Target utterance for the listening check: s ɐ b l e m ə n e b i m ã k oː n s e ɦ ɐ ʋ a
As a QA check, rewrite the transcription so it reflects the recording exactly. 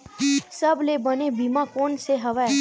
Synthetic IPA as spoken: s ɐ b l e b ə n e b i m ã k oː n s e ɦ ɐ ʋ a